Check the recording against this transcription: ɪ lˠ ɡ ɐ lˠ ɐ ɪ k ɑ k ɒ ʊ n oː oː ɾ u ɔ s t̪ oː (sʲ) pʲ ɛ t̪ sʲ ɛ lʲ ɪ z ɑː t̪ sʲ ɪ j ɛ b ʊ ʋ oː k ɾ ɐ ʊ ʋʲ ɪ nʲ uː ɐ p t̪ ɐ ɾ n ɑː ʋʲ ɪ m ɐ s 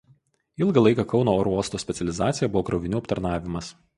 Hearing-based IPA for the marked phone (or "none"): sʲ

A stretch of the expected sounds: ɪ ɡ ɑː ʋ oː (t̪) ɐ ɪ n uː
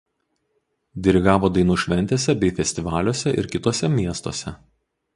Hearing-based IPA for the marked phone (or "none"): d̪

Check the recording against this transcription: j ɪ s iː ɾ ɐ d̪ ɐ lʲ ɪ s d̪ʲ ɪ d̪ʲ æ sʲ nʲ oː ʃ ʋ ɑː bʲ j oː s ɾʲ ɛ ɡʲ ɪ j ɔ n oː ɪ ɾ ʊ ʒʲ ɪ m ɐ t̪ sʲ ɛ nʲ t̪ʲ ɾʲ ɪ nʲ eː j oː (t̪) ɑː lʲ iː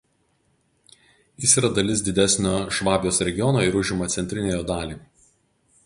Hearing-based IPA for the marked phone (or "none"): d̪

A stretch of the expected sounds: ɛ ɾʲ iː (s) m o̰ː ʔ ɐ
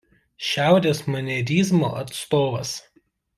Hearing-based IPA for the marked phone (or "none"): z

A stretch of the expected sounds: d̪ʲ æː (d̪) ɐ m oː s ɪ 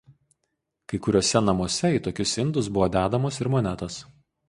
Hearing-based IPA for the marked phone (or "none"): d̪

